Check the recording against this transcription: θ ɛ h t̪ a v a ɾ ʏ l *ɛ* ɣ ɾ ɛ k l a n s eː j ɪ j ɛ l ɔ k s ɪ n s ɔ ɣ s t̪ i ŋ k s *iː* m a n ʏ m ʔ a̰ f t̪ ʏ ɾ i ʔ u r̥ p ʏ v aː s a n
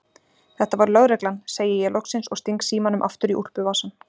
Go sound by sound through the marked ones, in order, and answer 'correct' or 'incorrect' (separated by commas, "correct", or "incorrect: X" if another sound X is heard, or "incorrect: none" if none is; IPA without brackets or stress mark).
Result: incorrect: œ, correct